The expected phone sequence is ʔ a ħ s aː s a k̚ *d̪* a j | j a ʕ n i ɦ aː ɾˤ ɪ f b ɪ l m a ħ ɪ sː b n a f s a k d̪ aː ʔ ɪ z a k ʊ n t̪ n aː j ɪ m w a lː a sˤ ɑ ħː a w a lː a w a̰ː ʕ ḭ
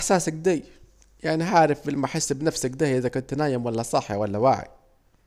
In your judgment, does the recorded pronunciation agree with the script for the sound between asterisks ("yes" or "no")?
yes